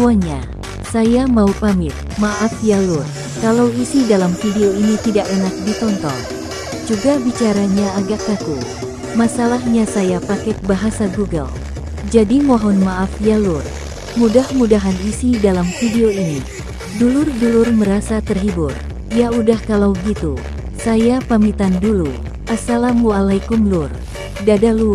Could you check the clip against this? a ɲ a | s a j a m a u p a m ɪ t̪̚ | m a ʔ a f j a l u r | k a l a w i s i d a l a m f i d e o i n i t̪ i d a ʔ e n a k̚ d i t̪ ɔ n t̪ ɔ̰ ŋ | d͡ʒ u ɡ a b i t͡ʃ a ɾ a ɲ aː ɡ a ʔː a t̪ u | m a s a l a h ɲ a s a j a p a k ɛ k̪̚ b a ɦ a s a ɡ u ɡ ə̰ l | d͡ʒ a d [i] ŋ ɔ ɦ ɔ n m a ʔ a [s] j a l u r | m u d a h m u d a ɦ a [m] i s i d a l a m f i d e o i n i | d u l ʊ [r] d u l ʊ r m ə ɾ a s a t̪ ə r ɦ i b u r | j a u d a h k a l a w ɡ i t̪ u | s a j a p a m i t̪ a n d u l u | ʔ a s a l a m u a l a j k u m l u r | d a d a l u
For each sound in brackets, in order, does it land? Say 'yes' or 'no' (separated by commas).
yes, no, no, yes